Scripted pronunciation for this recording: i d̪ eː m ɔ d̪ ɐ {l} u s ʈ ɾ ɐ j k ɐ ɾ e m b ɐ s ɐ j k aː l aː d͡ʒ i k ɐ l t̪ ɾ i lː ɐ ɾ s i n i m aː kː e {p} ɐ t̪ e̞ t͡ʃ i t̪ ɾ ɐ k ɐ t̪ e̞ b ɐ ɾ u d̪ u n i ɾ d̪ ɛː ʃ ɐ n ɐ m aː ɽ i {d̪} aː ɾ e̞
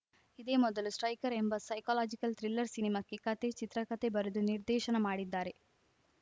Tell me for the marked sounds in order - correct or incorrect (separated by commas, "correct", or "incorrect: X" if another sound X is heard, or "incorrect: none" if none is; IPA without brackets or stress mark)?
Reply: correct, incorrect: k, incorrect: d̪ː